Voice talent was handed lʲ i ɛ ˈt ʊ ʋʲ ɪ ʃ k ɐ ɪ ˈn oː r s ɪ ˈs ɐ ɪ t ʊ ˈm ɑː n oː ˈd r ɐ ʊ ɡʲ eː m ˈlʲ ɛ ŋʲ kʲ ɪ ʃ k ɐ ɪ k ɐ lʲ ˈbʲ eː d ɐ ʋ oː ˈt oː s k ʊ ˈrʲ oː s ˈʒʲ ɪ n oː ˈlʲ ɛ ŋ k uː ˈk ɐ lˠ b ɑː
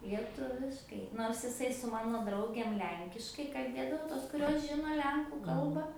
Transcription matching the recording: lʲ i ɛ ˈt ʊ ʋʲ ɪ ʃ k ɐ ɪ ˈn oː r s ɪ ˈs ɐ ɪ s ʊ ˈm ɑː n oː ˈd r ɐ ʊ ɡʲ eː m ˈlʲ ɛ ŋʲ kʲ ɪ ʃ k ɐ ɪ k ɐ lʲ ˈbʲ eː d ɐ ʋ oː ˈt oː s k ʊ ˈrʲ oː s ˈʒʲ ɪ n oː ˈlʲ ɛ ŋ k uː ˈk ɐ lˠ b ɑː